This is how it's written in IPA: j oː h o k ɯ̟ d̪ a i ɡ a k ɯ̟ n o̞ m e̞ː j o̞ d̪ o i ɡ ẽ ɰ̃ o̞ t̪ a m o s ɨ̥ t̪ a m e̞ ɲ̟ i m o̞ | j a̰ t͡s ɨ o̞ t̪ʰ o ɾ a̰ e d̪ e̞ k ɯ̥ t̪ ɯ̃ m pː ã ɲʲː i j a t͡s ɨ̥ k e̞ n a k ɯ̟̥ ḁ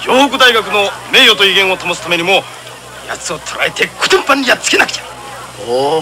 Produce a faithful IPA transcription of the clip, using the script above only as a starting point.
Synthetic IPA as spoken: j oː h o k ɯ̟ d̪ a i ɡ a k ɯ̟ n o̞ m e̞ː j o̞ t̪ o i ɡ ẽ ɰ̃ o̞ t̪ a m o s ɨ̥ t̪ a m e̞ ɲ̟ i m o̞ | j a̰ t͡s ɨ o̞ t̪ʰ o ɾ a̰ e t̪ e̞ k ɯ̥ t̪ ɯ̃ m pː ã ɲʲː i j a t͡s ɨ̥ k e̞ n a k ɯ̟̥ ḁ